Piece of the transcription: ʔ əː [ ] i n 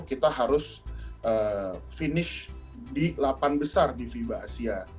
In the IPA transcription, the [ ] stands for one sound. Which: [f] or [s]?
f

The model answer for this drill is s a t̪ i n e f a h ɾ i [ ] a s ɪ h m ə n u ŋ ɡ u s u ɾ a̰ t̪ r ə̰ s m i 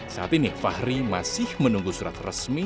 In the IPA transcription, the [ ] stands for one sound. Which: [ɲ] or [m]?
m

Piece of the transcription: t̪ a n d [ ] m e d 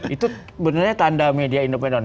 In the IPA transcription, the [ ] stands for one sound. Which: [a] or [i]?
a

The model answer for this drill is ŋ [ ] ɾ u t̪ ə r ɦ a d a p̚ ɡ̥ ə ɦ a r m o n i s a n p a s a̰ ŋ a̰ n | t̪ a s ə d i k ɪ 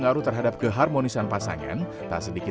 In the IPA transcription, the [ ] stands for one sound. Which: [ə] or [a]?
a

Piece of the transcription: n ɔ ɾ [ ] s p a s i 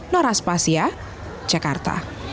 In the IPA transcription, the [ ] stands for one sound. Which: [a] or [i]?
a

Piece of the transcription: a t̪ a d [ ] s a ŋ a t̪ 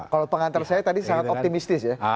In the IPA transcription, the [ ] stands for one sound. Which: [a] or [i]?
i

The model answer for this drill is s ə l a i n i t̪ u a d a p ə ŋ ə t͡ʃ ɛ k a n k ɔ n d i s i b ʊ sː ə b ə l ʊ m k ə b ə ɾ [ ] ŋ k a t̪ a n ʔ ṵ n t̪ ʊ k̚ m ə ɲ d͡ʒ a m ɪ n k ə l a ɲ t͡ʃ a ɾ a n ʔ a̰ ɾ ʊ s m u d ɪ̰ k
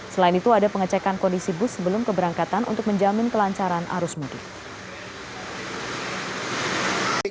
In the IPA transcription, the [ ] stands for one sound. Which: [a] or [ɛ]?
a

